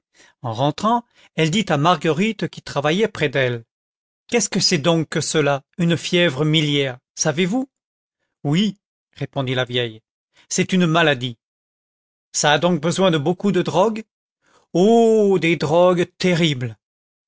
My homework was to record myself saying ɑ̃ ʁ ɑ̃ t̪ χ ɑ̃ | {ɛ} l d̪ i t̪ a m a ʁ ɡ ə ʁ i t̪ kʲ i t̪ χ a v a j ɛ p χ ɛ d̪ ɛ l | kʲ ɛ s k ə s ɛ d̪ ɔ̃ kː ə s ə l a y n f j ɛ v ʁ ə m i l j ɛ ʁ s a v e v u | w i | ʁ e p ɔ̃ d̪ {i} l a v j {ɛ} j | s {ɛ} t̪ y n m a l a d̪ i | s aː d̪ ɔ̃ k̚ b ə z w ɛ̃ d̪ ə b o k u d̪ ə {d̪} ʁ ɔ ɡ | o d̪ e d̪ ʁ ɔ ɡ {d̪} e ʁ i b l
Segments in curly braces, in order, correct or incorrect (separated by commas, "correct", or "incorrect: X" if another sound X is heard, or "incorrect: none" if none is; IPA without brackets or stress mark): correct, correct, correct, correct, correct, incorrect: t̪